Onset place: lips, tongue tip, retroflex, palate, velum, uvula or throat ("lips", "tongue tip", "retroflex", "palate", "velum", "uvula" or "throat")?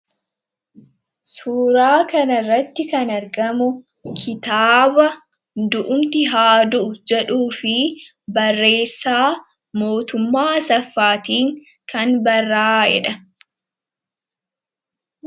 tongue tip